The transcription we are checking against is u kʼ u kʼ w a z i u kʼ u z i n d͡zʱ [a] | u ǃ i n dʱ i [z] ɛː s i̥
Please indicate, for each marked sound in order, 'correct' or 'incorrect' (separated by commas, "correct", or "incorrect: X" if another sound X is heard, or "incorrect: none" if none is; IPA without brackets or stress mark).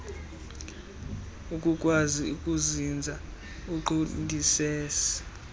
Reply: correct, incorrect: s